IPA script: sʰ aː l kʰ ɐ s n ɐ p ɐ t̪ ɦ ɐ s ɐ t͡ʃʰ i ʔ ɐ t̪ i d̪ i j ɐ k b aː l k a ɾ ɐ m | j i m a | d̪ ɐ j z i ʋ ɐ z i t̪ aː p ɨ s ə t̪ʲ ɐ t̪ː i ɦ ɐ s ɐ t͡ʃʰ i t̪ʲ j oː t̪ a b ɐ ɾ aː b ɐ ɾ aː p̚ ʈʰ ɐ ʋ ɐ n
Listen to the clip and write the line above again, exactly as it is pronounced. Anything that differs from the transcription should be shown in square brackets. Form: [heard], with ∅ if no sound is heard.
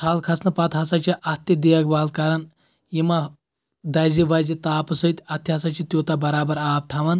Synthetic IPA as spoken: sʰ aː l kʰ ɐ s n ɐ p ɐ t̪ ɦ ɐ s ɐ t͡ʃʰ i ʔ ɐ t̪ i d̪ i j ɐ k b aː l k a ɾ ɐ [n] | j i m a | d̪ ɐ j z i ʋ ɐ z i t̪ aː p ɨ s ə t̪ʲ ɐ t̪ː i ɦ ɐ s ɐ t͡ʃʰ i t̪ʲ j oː t̪ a b ɐ ɾ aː b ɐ ɾ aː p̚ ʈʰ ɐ ʋ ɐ n

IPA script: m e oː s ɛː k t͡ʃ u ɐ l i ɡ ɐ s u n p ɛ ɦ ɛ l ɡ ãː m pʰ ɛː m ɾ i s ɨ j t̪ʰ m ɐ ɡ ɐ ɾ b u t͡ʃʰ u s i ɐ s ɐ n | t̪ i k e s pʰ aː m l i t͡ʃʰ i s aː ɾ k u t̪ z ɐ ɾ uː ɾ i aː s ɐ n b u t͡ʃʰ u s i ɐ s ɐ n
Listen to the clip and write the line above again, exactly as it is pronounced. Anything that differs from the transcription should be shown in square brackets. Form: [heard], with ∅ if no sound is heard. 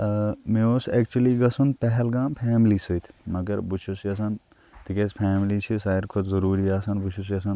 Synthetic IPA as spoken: m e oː s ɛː k t͡ʃ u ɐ l i ɡ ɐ s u n p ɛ ɦ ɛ l ɡ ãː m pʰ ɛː m [l] i s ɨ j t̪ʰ m ɐ ɡ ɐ ɾ b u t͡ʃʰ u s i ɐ s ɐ n | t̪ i k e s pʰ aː m l i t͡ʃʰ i s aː ɾ [kʰ] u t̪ z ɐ ɾ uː ɾ i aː s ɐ n b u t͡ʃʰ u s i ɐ s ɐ n

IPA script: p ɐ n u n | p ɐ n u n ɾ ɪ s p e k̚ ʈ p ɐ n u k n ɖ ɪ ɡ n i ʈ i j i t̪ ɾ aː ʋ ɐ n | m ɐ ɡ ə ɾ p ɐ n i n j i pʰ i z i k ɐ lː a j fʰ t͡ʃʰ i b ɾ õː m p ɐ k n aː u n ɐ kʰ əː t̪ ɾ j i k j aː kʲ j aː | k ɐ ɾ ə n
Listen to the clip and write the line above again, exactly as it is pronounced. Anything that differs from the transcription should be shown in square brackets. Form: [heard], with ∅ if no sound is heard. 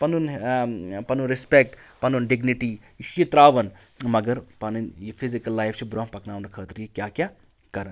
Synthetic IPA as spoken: p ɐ n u n | p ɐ n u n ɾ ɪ s p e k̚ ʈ p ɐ n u [∅] n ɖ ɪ ɡ n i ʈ i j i t̪ ɾ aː ʋ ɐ n | m ɐ ɡ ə ɾ p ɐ n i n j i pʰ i z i k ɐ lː a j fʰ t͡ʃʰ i b ɾ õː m p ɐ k n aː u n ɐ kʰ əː t̪ ɾ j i k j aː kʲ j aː | k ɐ ɾ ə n

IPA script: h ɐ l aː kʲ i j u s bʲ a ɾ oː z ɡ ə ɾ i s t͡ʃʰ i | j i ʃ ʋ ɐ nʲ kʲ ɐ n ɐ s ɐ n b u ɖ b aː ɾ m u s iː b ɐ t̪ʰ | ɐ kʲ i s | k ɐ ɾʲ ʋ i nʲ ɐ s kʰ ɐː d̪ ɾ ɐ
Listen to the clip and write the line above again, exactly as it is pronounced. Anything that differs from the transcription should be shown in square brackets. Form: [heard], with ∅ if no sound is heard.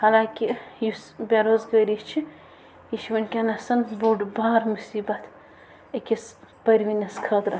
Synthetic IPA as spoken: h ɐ l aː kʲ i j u s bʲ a ɾ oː z ɡ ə ɾ i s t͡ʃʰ i | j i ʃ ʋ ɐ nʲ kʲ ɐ n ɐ s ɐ n b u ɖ b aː ɾ m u s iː b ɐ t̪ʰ | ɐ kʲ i s | [p] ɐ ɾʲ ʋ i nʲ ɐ s kʰ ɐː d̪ ɾ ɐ

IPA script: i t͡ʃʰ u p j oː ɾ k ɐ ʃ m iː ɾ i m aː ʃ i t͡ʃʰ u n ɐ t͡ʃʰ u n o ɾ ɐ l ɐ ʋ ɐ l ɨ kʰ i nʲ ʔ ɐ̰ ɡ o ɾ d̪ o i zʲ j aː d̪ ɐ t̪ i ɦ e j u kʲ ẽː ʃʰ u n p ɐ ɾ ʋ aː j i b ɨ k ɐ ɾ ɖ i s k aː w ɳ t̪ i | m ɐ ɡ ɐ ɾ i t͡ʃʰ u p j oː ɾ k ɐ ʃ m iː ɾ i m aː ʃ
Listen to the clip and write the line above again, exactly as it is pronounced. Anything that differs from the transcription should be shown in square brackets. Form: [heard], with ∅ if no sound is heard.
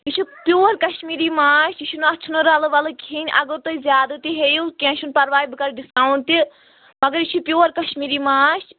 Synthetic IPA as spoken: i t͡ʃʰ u p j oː ɾ k ɐ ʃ m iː ɾ i m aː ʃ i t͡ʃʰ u n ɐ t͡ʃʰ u n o ɾ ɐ l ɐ ʋ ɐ l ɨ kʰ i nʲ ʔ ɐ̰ ɡ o ɾ [t̪] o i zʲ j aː d̪ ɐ t̪ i ɦ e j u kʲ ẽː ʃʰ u n p ɐ ɾ ʋ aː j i b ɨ k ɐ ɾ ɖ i s k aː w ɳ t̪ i | m ɐ ɡ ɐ ɾ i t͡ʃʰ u p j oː ɾ k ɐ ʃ m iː ɾ i m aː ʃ

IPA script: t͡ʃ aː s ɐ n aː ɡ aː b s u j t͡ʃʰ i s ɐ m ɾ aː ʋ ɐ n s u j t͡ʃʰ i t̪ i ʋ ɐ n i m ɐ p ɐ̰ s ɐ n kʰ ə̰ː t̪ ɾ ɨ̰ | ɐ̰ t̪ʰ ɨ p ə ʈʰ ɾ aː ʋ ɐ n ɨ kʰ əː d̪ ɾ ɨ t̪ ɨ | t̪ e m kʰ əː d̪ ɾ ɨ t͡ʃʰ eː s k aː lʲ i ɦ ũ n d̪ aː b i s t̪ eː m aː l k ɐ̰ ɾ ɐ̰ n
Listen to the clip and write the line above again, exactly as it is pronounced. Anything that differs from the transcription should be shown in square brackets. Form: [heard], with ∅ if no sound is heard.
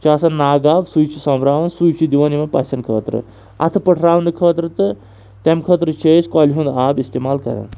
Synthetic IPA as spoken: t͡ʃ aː s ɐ n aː ɡ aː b s u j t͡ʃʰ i s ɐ m ɾ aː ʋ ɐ n s u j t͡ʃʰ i [d̪] i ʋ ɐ n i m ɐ p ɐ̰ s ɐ n kʰ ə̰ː t̪ ɾ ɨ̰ | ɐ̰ t̪ʰ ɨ p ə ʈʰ ɾ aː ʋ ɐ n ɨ kʰ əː [t̪] ɾ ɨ t̪ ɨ | t̪ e m kʰ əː [t̪] ɾ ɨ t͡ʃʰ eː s k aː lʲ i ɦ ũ n d̪ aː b i s t̪ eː m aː l k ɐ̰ ɾ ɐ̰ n

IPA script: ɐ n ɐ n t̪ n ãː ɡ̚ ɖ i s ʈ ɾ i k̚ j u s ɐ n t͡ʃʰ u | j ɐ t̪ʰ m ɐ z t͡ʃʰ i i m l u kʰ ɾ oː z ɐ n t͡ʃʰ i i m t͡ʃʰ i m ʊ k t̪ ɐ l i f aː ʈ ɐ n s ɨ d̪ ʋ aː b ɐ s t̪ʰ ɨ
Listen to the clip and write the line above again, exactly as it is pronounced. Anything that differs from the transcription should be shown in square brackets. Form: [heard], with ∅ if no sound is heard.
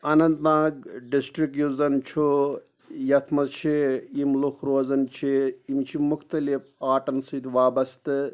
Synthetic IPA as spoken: ɐ n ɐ n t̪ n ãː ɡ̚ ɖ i s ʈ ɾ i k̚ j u [z] ɐ n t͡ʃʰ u | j ɐ t̪ʰ m ɐ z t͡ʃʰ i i m l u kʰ ɾ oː z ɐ n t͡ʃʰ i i m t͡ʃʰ i m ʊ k t̪ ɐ l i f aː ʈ ɐ n s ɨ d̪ ʋ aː b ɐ s [t̪] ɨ

